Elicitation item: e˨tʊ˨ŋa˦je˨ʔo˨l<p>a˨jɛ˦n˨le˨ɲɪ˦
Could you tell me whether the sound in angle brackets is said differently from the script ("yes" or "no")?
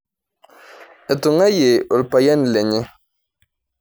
no